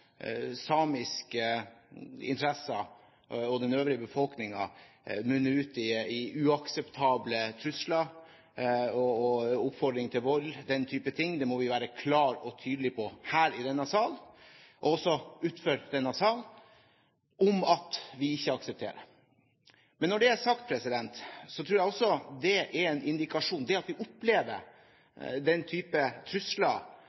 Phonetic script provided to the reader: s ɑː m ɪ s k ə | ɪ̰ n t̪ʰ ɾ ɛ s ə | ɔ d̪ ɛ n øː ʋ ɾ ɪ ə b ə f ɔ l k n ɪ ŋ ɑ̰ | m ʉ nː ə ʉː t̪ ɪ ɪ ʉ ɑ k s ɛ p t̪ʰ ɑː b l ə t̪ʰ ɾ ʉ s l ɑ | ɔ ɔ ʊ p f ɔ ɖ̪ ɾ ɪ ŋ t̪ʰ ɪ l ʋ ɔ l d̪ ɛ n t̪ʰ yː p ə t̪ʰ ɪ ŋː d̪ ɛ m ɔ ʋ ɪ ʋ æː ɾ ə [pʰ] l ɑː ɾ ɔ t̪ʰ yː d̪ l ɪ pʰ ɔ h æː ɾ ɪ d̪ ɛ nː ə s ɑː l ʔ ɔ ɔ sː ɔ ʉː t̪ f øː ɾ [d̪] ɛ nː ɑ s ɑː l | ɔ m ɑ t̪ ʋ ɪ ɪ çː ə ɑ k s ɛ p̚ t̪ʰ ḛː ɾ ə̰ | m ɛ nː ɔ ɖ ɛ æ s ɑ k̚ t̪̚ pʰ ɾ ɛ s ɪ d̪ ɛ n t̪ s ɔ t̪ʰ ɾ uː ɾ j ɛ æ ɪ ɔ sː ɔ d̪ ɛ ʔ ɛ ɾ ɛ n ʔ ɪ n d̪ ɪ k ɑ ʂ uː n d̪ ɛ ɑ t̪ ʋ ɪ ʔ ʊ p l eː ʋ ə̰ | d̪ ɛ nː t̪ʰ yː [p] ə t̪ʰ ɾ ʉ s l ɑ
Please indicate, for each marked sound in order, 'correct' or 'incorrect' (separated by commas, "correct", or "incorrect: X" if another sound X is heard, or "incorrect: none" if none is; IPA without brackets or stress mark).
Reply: incorrect: kʰ, correct, correct